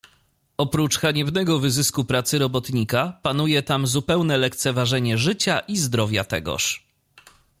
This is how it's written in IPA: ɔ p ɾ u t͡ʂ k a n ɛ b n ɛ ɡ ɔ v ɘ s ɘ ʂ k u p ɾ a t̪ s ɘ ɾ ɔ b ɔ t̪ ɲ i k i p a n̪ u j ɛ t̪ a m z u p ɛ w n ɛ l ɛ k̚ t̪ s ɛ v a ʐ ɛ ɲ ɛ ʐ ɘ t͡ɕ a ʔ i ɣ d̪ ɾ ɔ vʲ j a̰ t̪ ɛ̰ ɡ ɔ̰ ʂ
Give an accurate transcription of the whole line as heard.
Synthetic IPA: ɔ p ɾ u t͡ʂ x a ɲ ɛ b n ɛ ɡ ɔ v ɘ z ɘ s k u p ɾ a t̪ s ɘ ɾ ɔ b ɔ t̪ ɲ i k a p a n̪ u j ɛ t̪ a m z u p ɛ w n ɛ l ɛ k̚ t̪ s ɛ v a ʐ ɛ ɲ ɛ ʐ ɘ t͡ɕ a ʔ i z d̪ ɾ ɔ vʲ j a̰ t̪ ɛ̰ ɡ ɔ̰ ʂ

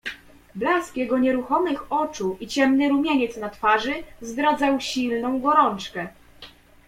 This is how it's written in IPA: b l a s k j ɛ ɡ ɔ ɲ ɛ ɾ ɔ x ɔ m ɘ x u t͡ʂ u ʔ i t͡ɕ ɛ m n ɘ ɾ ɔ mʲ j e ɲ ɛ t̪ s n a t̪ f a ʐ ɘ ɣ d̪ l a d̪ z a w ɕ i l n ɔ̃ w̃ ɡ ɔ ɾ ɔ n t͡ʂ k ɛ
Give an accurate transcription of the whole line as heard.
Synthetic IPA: b l a s k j ɛ ɡ ɔ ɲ ɛ ɾ u x ɔ m ɘ x ɔ t͡ʂ u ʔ i t͡ɕ ɛ m n ɘ ɾ u mʲ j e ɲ ɛ t̪ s n a t̪ f a ʐ ɘ z d̪ ɾ a d̪ z a w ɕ i l n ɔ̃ w̃ ɡ ɔ ɾ ɔ n t͡ʂ k ɛ

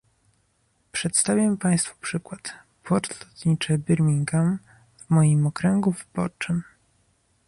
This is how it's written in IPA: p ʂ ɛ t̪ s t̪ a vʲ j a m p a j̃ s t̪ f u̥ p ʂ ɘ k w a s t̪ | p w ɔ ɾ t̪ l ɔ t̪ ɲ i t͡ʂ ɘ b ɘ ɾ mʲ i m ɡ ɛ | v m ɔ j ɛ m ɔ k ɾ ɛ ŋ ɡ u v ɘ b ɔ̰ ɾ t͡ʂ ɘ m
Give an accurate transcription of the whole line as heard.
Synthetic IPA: p ʂ ɛ t̪ s t̪ a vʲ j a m p a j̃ s t̪ f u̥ p ʂ ɘ k w a t̪ | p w ɔ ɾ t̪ l ɔ t̪ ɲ i t͡ʂ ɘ b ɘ ɾ mʲ i ŋ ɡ a | v m ɔ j i m ɔ k ɾ ɛ ŋ ɡ u v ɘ b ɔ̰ ɾ t͡ʂ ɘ m

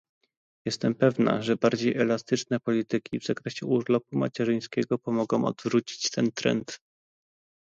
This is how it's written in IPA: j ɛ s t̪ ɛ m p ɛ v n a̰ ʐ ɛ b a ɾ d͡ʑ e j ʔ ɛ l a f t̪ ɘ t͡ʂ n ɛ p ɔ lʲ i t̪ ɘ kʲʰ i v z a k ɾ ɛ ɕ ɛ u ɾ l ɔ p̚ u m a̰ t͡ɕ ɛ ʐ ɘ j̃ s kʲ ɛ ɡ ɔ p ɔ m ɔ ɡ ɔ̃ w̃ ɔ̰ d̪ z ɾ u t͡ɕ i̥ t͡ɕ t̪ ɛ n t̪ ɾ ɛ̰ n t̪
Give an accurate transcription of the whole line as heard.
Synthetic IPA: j ɛ s t̪ ɛ m p ɛ v n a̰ ʐ ɛ b a ɾ d͡ʑ e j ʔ ɛ l a s t̪ ɘ t͡ʂ n ɛ p ɔ lʲ i t̪ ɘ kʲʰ i v z a k ɾ ɛ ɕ ɛ u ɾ l ɔ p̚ u m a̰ t͡ɕ ɛ ʐ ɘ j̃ s kʲ ɛ ɡ ɔ p ɔ m ɔ ɡ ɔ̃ w̃ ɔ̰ d̪ v ɾ u t͡ɕ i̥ t͡ɕ t̪ ɛ n t̪ ɾ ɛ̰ n t̪

